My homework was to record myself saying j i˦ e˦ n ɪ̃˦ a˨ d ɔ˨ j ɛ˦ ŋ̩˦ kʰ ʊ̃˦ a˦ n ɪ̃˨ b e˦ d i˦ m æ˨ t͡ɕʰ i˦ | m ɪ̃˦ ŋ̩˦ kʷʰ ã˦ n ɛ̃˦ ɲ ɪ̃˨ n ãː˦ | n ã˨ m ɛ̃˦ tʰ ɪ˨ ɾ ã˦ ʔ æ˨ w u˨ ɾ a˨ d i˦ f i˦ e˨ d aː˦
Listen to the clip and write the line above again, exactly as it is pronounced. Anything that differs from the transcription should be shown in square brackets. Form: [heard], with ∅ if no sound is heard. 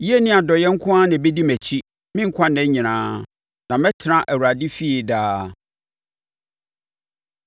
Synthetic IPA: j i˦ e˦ n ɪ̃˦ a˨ d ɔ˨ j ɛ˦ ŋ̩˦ kʰ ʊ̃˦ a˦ n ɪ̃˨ b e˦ d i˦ m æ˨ t͡ɕʰ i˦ | m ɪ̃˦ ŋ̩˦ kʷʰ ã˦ n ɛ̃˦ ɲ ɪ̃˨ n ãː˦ | n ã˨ m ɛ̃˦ tʰ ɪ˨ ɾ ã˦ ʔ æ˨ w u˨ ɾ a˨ d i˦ f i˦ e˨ d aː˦